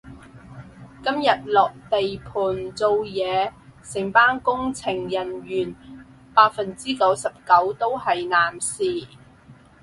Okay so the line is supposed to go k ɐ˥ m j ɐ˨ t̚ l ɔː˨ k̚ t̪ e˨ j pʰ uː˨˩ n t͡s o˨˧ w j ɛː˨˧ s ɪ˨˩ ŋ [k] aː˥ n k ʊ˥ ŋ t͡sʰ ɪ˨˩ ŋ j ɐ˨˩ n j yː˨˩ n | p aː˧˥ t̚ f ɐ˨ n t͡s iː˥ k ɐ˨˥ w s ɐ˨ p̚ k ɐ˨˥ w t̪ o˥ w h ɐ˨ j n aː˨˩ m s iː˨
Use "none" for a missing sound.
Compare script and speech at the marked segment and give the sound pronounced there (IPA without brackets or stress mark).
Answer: p